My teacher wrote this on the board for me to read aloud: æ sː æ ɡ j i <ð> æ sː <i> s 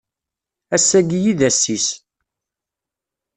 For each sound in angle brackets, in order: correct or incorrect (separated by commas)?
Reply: correct, correct